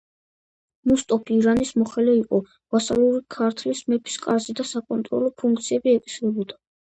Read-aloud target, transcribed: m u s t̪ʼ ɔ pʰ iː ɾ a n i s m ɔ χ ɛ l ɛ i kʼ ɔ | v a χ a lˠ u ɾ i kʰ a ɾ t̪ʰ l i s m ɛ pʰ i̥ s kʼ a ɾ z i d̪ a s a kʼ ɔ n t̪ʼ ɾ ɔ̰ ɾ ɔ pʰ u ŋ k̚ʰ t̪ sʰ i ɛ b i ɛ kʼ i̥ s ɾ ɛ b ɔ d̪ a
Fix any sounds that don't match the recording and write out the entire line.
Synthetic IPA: m u s t̪ʼ ɔ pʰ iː ɾ a n i s m ɔ χ ɛ l ɛ i qʼ ɔ | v a s a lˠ u ɾ i kʰ a ɾ t̪ʰ l i s m ɛ pʰ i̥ s kʼ a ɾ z i d̪ a s a kʼ ɔ n t̪ʼ ɾ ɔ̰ l ɔ pʰ u ŋ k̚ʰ t̪ sʰ i ɛ b i ɛ kʼ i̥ s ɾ ɛ b ɔ d̪ a